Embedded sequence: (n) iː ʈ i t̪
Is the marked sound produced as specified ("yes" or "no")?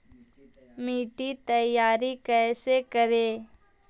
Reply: no